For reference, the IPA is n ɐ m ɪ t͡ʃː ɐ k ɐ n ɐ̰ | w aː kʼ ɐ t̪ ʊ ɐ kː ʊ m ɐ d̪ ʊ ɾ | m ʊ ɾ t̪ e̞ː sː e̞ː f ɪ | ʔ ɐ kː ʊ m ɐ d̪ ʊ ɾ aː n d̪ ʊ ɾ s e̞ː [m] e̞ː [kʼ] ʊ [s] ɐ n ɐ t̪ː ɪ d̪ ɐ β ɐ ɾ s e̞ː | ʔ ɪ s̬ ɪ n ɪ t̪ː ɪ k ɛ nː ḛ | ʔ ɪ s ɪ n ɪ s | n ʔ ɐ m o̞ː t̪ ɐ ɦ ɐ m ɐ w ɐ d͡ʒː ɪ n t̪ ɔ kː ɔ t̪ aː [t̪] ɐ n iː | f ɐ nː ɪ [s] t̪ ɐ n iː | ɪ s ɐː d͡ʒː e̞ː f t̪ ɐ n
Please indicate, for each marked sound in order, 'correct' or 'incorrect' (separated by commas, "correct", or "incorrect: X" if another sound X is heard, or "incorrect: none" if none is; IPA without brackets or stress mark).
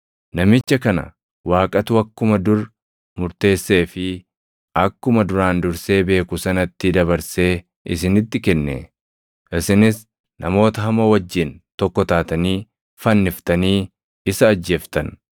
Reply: incorrect: b, incorrect: k, correct, correct, incorrect: f